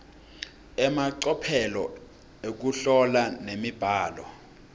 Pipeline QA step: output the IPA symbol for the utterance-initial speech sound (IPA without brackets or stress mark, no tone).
ɛ